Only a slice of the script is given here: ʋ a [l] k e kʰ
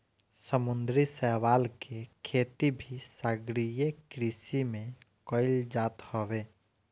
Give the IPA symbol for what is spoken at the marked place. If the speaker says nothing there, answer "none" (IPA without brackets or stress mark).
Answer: l